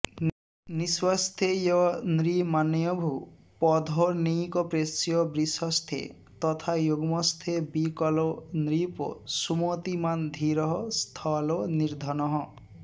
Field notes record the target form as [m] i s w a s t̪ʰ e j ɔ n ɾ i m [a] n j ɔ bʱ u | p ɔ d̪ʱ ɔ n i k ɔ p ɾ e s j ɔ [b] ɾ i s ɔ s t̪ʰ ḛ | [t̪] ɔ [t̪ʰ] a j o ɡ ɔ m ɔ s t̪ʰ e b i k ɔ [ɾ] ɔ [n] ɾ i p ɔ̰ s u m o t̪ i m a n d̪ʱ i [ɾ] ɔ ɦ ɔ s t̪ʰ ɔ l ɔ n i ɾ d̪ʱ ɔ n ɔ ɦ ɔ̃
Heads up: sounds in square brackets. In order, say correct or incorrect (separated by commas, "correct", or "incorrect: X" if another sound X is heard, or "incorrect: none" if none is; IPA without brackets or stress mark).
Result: incorrect: n, correct, correct, correct, correct, incorrect: l, correct, correct